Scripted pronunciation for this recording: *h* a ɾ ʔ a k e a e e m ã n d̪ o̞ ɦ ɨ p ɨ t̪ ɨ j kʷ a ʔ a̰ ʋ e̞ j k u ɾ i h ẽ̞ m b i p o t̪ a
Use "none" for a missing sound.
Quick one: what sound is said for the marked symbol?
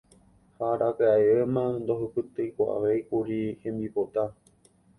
h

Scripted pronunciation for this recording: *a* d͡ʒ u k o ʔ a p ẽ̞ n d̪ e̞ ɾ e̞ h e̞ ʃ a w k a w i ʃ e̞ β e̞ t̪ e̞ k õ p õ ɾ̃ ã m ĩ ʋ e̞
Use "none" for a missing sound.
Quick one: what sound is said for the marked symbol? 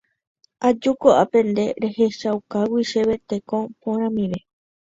a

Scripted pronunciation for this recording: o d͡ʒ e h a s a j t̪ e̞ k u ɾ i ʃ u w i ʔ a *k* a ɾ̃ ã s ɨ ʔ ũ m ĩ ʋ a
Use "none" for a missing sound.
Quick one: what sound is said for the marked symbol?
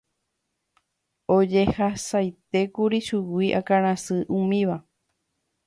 k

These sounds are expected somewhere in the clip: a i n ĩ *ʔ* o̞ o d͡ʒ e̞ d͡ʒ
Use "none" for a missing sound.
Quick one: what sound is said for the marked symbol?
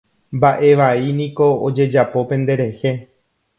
k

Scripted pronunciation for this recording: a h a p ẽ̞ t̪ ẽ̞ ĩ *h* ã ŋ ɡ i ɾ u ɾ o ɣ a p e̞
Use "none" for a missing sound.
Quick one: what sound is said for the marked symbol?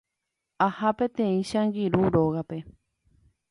ʃ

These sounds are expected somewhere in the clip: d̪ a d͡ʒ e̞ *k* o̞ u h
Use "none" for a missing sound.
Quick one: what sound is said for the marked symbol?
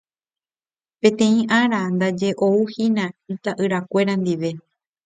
ʔ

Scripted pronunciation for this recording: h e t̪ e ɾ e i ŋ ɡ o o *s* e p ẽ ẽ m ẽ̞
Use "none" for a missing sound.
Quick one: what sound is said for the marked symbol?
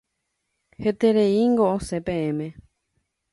s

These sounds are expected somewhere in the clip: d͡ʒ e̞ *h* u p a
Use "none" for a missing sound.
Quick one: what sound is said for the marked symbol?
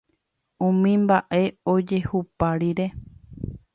h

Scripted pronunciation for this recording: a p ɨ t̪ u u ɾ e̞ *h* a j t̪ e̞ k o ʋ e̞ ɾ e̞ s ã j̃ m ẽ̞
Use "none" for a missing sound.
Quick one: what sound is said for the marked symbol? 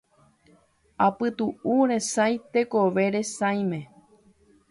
s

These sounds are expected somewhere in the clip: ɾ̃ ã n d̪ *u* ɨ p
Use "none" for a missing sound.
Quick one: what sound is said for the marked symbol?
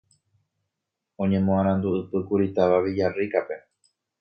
u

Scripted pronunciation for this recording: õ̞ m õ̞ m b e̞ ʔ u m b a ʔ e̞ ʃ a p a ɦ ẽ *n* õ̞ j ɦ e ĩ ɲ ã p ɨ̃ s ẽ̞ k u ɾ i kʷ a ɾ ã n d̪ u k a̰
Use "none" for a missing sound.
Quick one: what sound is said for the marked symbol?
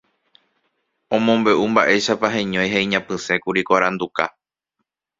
ɲ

